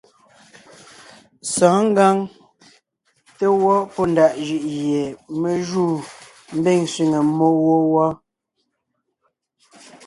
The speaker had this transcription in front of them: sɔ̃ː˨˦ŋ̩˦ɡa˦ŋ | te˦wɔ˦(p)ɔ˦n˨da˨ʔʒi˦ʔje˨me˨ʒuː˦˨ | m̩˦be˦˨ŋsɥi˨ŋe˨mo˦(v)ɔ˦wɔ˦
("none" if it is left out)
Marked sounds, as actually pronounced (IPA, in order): p, w

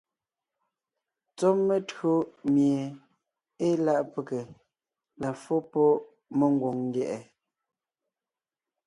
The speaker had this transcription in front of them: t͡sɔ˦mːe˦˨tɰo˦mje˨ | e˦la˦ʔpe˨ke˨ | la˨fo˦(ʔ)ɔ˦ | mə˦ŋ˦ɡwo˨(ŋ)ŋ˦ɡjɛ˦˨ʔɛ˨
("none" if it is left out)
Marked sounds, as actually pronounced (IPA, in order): p, ŋ

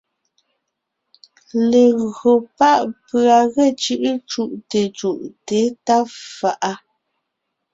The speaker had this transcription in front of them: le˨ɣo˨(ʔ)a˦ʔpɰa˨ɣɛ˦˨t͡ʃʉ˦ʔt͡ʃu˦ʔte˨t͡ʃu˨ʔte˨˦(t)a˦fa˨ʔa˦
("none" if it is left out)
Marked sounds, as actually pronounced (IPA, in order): p, t

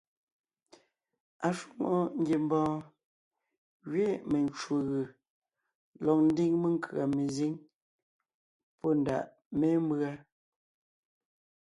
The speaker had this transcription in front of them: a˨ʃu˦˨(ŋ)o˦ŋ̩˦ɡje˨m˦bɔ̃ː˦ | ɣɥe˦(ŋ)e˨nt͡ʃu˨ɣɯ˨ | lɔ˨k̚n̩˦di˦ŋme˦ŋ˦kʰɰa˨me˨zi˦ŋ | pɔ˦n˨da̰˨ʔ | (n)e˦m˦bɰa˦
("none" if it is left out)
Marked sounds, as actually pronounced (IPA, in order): ŋ, m, m

